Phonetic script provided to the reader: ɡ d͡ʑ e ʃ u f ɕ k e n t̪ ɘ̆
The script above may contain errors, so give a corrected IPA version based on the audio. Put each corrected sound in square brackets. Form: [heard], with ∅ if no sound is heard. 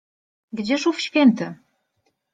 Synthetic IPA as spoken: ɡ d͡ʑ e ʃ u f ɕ k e n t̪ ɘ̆